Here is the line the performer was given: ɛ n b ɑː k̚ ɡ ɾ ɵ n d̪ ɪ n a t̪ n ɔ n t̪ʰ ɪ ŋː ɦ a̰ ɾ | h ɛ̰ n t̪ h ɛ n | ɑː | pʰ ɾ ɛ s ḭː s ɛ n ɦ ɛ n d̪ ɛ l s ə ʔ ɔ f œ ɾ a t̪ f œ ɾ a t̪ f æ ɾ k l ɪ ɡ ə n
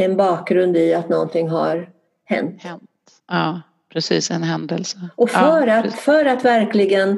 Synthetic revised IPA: ɛ n b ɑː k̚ ɡ ɾ ɵ n d̪ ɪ a t̪ n ɔ n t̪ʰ ɪ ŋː ɦ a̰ ɾ | h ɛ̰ n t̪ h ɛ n | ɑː | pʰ ɾ ɛ s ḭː s ɛ n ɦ ɛ n d̪ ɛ l s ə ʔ ɔ f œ ɾ a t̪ f œ ɾ a t̪ v æ ɾ k l ɪ ɡ ə n